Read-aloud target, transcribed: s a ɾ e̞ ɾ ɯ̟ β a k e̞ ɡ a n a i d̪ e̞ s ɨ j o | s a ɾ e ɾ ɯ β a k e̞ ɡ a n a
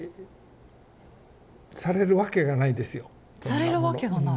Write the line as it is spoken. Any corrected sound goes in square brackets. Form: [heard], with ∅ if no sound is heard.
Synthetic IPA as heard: s a ɾ e̞ ɾ ɯ̟ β a k e̞ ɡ a n a i d̪ e̞ s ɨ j o | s a ɾ e ɾ ɯ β a k e̞ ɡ a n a